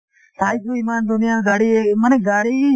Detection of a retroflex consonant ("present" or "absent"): present